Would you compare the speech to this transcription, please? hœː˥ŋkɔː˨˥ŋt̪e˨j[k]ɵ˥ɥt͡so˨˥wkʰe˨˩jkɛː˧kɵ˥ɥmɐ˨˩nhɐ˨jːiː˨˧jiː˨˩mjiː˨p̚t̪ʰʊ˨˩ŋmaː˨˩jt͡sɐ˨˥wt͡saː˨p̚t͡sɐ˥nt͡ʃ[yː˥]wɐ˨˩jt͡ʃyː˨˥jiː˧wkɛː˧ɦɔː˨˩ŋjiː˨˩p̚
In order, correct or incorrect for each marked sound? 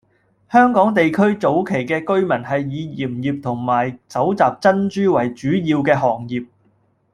incorrect: kʰ, correct

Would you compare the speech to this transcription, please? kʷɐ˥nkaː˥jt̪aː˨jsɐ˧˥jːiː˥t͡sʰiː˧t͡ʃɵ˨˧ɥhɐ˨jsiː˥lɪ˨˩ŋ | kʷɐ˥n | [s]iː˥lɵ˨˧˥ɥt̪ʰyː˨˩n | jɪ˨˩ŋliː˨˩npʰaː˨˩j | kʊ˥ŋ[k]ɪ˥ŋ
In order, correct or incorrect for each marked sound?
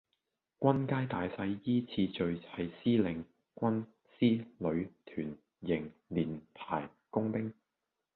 correct, incorrect: p

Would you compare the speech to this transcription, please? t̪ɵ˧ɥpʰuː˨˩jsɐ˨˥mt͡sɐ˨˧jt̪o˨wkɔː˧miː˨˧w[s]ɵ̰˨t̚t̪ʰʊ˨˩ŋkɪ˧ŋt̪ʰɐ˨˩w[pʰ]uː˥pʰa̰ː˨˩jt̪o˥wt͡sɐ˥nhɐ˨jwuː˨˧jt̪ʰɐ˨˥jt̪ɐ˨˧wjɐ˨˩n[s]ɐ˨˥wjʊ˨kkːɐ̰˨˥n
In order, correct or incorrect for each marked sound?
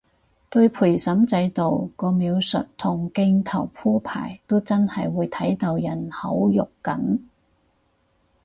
correct, correct, incorrect: h

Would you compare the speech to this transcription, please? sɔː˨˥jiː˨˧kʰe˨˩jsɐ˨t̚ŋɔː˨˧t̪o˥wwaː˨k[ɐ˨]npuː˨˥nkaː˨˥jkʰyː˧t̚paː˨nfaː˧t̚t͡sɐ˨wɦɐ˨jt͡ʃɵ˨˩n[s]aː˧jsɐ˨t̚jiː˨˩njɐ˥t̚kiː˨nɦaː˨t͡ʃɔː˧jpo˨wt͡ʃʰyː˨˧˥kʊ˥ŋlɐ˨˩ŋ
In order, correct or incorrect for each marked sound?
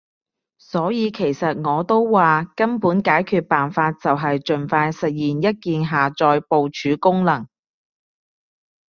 incorrect: ɐ˥, incorrect: f

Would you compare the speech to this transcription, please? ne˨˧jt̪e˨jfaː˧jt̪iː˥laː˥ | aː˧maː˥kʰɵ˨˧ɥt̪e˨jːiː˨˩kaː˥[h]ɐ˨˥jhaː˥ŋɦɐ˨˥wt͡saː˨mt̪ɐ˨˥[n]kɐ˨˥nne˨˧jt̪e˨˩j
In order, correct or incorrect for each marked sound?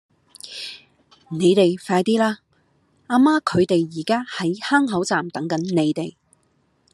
correct, incorrect: ŋ

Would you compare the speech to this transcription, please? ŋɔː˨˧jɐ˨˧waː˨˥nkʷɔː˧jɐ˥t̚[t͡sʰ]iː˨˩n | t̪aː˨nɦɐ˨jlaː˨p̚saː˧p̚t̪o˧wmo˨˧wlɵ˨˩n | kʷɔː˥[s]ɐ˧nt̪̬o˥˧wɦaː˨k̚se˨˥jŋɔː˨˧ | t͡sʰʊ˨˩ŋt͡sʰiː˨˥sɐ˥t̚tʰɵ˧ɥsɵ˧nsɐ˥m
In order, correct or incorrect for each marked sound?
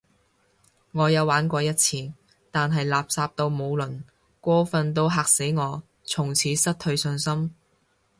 correct, incorrect: f

